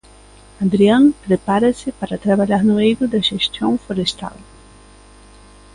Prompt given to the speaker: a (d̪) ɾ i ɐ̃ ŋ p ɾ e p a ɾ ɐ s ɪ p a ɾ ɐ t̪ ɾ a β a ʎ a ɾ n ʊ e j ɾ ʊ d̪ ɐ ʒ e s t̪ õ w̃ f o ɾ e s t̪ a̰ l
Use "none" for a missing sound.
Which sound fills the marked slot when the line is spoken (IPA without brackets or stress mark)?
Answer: d̪